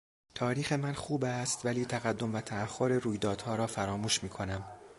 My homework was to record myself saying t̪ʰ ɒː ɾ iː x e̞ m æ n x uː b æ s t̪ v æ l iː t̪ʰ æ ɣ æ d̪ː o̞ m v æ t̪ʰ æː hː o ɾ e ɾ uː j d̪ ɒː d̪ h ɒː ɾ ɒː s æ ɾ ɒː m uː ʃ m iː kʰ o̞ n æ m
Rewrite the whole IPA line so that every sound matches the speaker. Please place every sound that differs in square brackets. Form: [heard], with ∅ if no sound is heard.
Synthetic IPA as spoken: t̪ʰ ɒː ɾ iː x e̞ m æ n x uː b æ s t̪ v æ l iː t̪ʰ æ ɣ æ d̪ː o̞ m v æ t̪ʰ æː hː o ɾ e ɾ uː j d̪ ɒː d̪ h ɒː ɾ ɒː [f] æ ɾ ɒː m uː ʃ m iː kʰ o̞ n æ m